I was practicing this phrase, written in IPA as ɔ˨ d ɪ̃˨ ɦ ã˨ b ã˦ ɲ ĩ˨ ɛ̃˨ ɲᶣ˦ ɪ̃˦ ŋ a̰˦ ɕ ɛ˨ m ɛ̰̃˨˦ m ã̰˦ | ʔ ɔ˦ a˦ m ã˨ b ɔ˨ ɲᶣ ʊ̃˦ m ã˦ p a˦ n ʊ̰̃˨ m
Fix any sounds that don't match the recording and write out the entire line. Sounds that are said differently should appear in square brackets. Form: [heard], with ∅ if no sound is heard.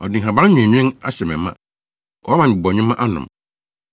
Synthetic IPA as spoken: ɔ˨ d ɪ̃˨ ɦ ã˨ b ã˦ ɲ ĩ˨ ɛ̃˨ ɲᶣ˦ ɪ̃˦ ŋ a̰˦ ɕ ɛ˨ m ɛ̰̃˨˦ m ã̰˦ | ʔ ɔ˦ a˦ m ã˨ b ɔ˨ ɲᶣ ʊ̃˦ m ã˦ [ʔ] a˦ n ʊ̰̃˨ m